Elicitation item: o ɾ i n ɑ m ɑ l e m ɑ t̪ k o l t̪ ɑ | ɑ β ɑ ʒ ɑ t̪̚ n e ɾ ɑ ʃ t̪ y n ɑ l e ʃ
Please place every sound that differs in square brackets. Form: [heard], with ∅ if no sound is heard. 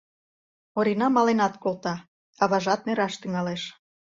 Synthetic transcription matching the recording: o ɾ i n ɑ m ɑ l e [n] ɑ t̪ k o l t̪ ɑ | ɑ β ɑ ʒ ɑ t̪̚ n e ɾ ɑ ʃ t̪ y [ŋ] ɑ l e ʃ